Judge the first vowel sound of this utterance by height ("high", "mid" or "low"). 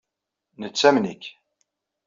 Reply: mid